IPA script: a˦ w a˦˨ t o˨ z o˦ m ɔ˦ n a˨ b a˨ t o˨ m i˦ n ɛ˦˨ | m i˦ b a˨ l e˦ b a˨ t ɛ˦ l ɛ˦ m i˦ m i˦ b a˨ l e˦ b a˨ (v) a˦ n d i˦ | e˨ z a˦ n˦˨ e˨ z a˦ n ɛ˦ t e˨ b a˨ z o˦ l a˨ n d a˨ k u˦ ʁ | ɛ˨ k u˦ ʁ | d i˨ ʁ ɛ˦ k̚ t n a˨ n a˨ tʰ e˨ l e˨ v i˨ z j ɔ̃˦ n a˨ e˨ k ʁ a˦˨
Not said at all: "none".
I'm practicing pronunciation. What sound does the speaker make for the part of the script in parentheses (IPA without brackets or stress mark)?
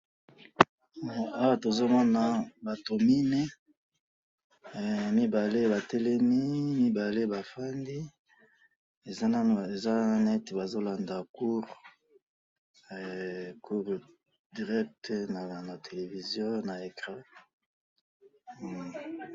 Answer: f